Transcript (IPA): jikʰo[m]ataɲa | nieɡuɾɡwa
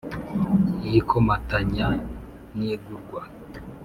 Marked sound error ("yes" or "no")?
no